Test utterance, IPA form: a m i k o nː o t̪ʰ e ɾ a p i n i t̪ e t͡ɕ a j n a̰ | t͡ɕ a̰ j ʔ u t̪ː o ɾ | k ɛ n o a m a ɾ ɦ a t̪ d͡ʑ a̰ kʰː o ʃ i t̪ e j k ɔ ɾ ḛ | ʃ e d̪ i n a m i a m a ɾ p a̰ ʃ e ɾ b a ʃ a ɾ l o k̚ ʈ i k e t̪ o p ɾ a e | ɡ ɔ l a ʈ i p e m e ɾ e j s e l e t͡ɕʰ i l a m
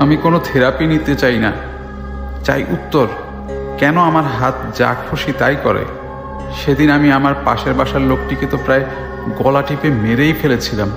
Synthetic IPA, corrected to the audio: a m i k o n o t̪ʰ e ɾ a p i n i t̪ e t͡ɕ a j n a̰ | t͡ɕ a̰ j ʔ u t̪ː o ɾ | k ɛ n o a m a ɾ ɦ a t̪ d͡ʑ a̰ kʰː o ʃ i t̪ a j k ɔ ɾ ḛ | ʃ e d̪ i n a m i a m a ɾ p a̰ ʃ e ɾ b a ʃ a ɾ l o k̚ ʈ i k e t̪ o p ɾ a e | ɡ ɔ l a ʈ i p e m e ɾ e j f e l e t͡ɕʰ i l a m